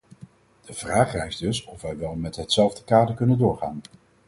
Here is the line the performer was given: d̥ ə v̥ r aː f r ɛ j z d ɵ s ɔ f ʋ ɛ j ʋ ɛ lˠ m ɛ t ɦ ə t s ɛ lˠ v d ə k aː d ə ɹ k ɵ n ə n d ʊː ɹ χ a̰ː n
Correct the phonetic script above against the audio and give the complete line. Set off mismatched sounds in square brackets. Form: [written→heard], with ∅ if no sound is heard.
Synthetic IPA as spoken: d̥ ə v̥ r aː [f→χ] r ɛ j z d ɵ s ɔ f ʋ ɛ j ʋ ɛ lˠ m ɛ t ɦ ə t s ɛ lˠ v d ə k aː d ə ɹ k ɵ n ə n d ʊː ɹ χ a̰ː n